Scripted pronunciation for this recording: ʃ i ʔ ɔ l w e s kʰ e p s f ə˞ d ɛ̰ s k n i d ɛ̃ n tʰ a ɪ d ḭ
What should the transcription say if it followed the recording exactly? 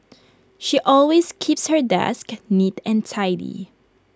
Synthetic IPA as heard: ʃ i ʔ ɔ l w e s kʰ i p s h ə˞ d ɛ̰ s k n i t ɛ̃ n tʰ a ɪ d ḭ